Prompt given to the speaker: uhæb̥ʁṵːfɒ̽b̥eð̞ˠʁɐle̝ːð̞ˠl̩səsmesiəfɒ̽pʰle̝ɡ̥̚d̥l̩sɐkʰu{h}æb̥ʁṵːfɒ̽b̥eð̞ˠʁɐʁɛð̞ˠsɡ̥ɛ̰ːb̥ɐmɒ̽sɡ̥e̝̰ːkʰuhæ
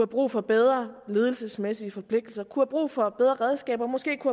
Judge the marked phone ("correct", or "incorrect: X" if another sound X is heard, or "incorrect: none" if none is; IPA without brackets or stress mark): correct